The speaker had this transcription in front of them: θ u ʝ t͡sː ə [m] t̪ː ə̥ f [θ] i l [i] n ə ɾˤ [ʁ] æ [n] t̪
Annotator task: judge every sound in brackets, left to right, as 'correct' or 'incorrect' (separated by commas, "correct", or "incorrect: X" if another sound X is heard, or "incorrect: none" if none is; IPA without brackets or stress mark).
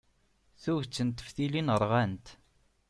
incorrect: n, correct, correct, correct, correct